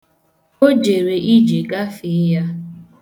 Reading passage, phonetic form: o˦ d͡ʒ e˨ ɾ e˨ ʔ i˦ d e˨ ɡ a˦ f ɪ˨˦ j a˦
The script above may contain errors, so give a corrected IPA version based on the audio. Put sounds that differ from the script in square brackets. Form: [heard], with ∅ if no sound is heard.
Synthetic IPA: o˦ d͡ʒ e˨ ɾ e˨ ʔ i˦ [d͡ʒ] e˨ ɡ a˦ f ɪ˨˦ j a˦